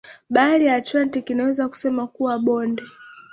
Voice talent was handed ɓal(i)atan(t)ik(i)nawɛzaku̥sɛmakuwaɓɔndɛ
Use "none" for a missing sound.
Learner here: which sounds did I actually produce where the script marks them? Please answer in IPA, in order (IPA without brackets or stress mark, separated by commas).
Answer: i, t, i